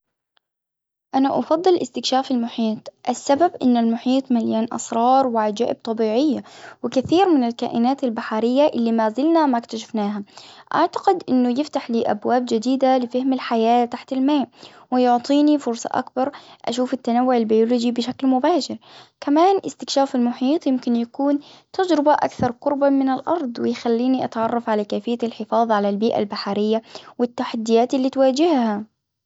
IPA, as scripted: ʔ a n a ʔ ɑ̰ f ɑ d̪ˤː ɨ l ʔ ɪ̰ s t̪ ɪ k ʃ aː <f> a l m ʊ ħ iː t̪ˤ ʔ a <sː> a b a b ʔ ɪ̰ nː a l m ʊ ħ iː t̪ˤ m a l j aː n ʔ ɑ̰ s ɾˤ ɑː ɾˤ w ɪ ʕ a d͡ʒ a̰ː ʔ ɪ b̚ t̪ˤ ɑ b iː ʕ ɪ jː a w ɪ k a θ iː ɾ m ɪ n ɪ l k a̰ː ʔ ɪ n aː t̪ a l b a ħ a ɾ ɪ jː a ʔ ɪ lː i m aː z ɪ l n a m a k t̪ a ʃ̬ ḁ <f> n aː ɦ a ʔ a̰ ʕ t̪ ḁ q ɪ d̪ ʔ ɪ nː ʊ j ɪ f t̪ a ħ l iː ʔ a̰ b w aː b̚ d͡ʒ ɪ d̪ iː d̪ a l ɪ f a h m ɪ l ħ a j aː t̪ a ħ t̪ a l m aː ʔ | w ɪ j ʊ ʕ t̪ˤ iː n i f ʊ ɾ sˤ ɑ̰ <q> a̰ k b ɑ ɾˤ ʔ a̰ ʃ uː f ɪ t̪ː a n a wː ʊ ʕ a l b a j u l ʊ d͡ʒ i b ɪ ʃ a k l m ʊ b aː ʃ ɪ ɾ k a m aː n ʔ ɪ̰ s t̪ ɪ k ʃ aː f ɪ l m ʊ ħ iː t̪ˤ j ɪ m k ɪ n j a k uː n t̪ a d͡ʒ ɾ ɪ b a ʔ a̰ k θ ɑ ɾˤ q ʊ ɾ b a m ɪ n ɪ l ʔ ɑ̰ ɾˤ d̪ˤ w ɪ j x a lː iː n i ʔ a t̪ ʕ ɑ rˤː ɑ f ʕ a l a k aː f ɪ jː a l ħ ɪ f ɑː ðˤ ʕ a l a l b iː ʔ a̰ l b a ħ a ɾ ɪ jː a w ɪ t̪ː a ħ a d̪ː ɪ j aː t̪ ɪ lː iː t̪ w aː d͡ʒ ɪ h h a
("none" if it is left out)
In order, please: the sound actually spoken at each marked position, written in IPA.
f, sː, f, ʔ

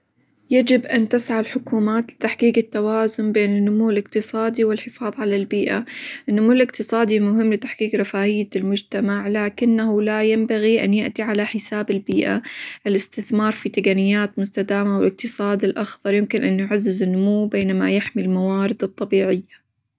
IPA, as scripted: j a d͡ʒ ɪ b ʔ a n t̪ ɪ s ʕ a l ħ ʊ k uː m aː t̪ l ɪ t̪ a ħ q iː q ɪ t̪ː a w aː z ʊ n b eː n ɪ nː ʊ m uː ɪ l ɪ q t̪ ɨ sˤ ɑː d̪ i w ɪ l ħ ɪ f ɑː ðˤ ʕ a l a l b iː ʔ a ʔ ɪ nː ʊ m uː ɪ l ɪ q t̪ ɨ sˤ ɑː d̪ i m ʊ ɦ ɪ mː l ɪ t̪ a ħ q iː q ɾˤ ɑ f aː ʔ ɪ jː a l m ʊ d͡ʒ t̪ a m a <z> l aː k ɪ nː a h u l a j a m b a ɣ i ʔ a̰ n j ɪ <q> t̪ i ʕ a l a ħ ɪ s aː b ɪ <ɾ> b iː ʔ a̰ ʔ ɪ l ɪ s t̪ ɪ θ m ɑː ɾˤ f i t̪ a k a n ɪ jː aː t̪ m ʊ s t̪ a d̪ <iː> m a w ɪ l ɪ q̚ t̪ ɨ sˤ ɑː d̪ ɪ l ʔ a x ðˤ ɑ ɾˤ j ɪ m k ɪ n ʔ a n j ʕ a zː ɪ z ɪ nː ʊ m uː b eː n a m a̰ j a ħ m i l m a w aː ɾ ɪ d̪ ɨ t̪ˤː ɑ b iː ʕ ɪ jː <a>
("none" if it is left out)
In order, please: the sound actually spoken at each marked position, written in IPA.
ʕ, ʔ, l, aː, a

